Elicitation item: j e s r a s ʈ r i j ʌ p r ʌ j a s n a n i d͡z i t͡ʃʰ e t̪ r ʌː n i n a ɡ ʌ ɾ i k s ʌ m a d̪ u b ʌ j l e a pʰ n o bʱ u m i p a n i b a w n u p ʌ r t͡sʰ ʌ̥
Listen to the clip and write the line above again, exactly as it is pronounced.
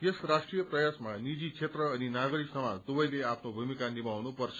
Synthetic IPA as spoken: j e s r a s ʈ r i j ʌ p r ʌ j a s m a n i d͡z i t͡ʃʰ e t̪ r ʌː n i n a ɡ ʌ ɾ i k s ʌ m a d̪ u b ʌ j l e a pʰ n o bʱ u m i k a n i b a w n u p ʌ r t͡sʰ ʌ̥